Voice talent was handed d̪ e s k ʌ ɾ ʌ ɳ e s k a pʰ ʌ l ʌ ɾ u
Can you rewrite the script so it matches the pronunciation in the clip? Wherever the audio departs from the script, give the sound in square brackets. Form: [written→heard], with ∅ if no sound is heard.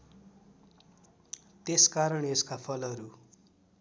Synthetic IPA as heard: [d̪→t̪] e s k [ʌ→a] ɾ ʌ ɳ e s k a pʰ ʌ l ʌ ɾ u